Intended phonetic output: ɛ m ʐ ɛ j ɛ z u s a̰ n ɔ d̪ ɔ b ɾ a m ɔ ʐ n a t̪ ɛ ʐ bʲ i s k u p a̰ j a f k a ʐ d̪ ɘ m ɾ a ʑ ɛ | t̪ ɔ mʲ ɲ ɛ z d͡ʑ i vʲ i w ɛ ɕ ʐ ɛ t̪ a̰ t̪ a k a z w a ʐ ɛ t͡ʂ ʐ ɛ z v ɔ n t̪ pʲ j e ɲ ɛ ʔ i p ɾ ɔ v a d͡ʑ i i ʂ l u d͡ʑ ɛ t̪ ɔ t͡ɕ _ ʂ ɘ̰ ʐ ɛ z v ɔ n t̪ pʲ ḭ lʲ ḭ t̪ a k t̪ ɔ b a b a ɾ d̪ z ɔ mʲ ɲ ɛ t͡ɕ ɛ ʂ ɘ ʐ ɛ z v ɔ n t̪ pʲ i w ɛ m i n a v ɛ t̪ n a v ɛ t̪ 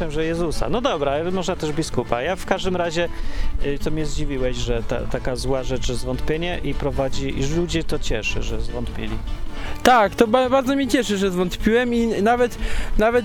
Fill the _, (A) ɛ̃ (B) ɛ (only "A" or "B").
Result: B